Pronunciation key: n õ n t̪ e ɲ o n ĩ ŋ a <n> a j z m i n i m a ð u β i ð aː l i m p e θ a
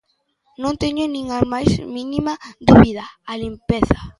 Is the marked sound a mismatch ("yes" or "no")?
yes